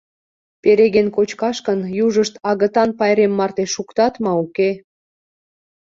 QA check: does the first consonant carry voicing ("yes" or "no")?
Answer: no